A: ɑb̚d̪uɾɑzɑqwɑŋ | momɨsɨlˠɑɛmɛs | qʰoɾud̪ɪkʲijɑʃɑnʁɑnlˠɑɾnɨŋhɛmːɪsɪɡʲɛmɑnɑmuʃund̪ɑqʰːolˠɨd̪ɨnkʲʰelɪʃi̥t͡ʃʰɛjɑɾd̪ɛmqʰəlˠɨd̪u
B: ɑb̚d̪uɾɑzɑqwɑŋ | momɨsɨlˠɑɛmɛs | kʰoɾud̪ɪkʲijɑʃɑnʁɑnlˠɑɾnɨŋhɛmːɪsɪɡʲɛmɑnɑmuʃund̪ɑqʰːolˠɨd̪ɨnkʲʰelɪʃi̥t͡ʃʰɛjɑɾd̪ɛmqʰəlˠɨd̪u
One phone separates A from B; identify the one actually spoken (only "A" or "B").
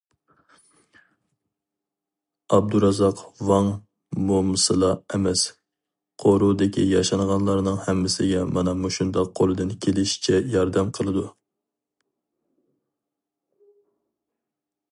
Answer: A